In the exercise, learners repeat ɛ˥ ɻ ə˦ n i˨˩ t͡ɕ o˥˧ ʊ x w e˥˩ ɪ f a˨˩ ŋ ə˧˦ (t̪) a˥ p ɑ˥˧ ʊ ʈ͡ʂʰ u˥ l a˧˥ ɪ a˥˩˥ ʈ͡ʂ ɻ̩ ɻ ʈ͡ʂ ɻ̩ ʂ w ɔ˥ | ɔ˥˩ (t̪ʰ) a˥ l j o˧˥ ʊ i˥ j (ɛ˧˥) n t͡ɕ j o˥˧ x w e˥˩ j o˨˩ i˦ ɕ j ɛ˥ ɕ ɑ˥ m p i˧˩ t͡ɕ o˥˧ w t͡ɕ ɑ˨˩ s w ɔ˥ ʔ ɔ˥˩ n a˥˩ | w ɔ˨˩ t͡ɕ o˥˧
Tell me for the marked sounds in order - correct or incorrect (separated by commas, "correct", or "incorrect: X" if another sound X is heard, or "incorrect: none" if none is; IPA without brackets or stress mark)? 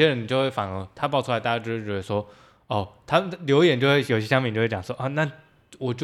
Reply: incorrect: t̪ʰ, correct, incorrect: ɛ˨˩